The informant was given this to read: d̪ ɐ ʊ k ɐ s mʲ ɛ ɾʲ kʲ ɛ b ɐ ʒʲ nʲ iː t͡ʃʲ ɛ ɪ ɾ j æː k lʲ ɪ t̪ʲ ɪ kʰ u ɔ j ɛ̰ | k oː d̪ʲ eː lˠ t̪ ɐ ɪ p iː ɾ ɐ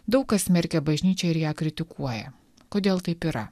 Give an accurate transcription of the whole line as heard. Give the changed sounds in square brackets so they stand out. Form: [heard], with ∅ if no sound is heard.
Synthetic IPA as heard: d̪ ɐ ʊ k ɐ s mʲ ɛ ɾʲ kʲ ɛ b ɐ ʒʲ nʲ iː t͡ʃʲ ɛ ɪ ɾ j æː k [ɾʲ] ɪ t̪ʲ ɪ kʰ u ɔ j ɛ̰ | k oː d̪ʲ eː lˠ t̪ ɐ ɪ p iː ɾ ɐ